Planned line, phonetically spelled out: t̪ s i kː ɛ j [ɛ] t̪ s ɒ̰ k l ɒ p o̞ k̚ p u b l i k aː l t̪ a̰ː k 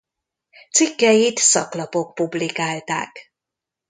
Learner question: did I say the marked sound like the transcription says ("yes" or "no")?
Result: no